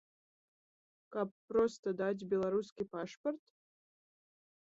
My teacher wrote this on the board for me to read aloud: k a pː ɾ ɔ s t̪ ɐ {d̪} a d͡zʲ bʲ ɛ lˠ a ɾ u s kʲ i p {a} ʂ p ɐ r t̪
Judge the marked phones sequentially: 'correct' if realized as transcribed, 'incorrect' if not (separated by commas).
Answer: correct, correct